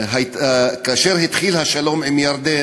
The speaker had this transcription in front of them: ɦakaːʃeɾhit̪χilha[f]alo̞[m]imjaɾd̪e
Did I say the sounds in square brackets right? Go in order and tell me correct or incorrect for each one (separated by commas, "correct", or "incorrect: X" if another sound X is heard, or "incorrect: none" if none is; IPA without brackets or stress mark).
incorrect: ʃ, correct